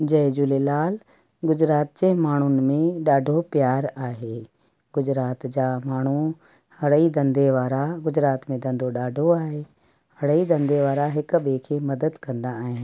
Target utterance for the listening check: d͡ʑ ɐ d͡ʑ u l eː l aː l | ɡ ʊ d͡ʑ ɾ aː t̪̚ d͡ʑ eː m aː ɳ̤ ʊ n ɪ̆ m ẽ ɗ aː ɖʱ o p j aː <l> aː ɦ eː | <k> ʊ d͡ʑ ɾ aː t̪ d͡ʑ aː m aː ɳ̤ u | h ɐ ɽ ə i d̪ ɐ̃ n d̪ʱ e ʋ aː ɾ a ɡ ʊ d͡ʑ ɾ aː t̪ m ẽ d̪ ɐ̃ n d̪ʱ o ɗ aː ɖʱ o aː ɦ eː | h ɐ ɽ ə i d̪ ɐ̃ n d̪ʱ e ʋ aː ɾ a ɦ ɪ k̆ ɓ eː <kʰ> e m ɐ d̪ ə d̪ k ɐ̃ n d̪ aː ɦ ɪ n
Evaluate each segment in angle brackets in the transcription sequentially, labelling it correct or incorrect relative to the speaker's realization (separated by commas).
incorrect, incorrect, correct